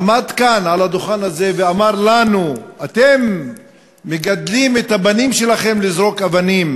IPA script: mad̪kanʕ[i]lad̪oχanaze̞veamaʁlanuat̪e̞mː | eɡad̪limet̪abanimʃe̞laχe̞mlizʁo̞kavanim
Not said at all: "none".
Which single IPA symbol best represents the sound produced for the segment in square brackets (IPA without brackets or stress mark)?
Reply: a